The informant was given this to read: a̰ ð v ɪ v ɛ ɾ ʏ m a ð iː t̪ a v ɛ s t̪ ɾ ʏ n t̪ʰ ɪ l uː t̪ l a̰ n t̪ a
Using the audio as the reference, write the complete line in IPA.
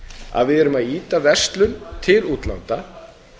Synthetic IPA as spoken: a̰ ð v ɪ ð ɛ ɾ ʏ m a ð iː t̪ a v ɛ s t̪ l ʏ n t̪ʰ ɪ l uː t̪ l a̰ n t̪ a

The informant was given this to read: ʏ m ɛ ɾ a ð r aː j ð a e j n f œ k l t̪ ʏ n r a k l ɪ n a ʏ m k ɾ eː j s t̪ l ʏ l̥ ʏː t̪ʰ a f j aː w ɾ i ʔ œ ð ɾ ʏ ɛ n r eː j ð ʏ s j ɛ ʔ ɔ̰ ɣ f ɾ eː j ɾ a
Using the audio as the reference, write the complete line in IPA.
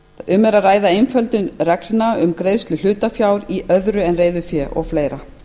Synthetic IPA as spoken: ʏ m ɛ ɾ a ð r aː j ð a e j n f œ l t̪ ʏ n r ɛ k l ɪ n a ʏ m k ɾ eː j s t̪ l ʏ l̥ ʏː t̪ a f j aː w ɾ i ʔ œ ð ɾ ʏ ɛ n r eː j ð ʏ f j ɛ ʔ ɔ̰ ɣ f l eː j ɾ a

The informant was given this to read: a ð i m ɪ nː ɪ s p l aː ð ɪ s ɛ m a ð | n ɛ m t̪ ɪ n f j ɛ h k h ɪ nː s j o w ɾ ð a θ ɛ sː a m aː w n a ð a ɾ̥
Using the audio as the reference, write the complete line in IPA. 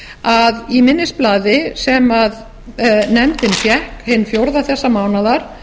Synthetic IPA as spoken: a ð i m ɪ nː ɪ s p l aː ð ɪ s ɛ m a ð | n ɛ m t̪ ɪ n f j ɛ h k h ɪ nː f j o w ɾ ð a θ ɛ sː a m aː w n a ð a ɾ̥

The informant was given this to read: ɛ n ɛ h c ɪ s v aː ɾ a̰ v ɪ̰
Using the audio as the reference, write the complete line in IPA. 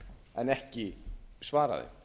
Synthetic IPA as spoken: ɛ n ɛ h c ɪ s v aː ɾ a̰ ð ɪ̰

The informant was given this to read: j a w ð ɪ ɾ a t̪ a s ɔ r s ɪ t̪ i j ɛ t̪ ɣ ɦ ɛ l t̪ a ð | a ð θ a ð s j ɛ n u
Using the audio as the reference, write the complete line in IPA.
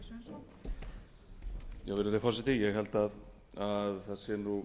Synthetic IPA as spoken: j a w v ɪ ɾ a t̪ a f ɔ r s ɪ t̪ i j ɛ ɣ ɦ ɛ l t̪ a ð | a ð θ a ð s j ɛ n u

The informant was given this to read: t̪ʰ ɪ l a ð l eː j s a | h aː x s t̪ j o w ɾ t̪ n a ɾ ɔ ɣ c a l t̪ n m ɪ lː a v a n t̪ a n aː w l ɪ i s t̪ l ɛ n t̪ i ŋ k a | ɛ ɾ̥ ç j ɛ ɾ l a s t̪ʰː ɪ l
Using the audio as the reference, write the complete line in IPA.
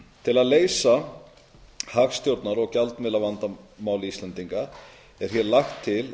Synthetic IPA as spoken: t̪ʰ ɪ l a ð l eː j s a | h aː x s t̪ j o w ɾ t̪ n a ɾ ɔ ɣ c a l t̪ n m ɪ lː a v a n t̪ a m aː w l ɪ i s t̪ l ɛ n t̪ i ŋ k a | ɛ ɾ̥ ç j ɛ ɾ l a x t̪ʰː ɪ l

